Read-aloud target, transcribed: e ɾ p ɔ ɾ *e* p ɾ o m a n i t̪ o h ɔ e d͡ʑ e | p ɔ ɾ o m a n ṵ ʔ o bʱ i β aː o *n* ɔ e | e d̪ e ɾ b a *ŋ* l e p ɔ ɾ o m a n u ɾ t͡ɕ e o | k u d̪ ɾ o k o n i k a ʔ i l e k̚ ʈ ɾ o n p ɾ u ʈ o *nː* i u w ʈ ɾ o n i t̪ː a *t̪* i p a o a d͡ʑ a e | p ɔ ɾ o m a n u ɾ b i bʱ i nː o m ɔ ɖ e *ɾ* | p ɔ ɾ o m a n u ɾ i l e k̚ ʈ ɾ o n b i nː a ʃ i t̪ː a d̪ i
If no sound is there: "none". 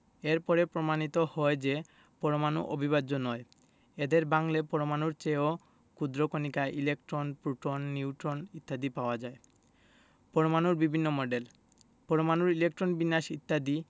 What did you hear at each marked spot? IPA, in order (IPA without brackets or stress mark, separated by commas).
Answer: e, n, ŋ, nː, d̪, l